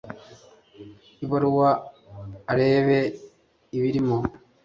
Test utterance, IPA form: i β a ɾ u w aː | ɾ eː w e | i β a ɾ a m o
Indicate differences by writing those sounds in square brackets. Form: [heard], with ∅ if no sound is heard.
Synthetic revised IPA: i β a ɾ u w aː | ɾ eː [β] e | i β [i] ɾ [i] m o